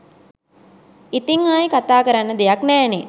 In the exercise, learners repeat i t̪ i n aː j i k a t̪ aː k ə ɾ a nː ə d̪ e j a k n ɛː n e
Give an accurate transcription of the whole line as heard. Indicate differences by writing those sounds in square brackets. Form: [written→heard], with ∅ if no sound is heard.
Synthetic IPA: i t̪ i [n→ŋ] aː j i k a t̪ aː k ə ɾ a nː ə d̪ e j a k n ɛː n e